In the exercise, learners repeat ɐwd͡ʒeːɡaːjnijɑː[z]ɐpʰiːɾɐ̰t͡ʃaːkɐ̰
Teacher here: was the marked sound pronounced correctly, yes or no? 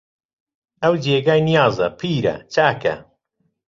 yes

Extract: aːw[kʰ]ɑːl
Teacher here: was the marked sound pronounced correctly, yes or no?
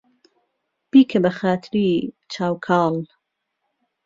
yes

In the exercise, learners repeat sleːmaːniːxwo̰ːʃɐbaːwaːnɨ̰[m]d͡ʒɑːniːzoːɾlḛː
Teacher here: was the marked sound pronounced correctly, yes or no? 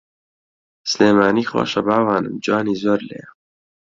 yes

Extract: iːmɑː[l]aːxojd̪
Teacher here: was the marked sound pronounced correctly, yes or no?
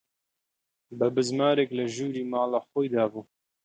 yes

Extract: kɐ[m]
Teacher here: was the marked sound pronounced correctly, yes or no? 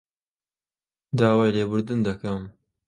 yes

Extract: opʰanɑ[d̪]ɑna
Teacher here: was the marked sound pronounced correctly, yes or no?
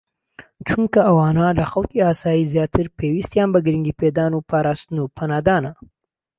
yes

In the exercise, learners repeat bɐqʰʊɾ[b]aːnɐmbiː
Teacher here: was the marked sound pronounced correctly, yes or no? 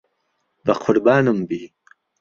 yes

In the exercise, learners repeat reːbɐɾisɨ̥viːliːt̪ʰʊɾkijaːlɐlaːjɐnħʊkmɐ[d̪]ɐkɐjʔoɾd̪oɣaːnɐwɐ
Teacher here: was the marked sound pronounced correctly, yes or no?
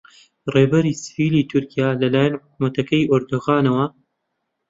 no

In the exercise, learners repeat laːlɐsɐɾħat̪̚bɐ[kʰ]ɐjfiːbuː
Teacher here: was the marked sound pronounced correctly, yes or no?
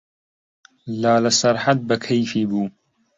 yes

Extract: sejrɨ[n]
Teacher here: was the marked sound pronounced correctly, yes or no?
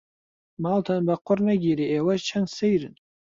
yes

